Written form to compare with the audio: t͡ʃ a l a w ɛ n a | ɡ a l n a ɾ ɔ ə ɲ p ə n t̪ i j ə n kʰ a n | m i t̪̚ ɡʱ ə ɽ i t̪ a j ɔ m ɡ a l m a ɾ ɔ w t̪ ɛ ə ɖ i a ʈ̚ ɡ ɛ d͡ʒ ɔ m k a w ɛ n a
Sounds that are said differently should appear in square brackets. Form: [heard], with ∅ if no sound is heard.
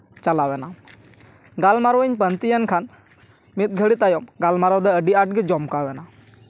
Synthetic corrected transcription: t͡ʃ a l a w ɛ n a | ɡ a l [m] a ɾ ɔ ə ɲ p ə n t̪ i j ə n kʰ a n | m i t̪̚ ɡʱ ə ɽ i t̪ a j ɔ m ɡ a l m a ɾ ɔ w [d̪] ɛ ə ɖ i a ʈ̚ ɡ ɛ d͡ʒ ɔ m k a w ɛ n a